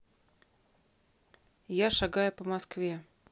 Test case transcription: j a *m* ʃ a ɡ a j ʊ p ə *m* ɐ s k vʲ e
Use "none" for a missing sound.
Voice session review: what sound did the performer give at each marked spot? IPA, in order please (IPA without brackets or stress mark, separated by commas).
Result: none, m